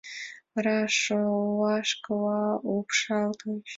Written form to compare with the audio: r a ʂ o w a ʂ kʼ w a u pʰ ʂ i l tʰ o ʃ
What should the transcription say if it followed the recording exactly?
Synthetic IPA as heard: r a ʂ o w a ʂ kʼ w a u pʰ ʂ a l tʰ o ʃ

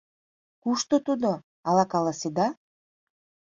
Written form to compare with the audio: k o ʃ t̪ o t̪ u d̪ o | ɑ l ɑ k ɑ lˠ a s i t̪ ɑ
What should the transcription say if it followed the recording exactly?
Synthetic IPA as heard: k u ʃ t̪ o t̪ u d̪ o | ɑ l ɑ k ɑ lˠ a s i d̪ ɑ

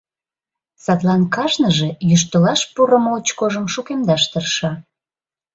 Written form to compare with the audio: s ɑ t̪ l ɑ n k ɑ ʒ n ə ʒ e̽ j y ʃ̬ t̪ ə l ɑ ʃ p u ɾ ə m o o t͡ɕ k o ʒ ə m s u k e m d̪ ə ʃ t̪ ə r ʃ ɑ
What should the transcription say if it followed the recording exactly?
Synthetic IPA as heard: s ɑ t̪ l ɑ n k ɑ ʒ n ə ʒ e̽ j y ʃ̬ t̪ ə l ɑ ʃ p u ɾ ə m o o t͡ɕ k o ʒ ə m ʃ u k e m d̪ ɑ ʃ t̪ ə r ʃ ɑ

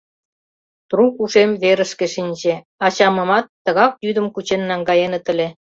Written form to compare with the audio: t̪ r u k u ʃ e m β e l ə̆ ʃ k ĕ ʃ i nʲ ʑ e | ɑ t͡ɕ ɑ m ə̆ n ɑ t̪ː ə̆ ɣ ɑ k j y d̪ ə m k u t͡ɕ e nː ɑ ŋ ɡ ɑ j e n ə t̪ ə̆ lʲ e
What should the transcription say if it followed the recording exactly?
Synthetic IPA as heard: t̪ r u k u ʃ e m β e ɾ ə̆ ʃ k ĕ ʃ i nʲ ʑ e | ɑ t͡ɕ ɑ m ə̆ m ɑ t̪ː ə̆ ɣ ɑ k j y d̪ ə m k u t͡ɕ e nː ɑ ŋ ɡ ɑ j e n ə t̪ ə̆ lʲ e

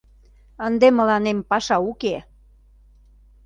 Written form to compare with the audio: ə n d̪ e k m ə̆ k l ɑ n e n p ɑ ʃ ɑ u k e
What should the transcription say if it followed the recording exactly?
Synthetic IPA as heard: ə n d̪ e m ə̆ l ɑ n e m p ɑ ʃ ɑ u k e

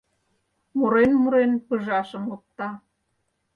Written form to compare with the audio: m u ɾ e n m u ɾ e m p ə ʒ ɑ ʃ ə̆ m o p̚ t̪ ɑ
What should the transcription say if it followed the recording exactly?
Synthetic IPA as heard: m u ɾ e n m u ɾ e n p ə ʒ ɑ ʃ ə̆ m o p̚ t̪ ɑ

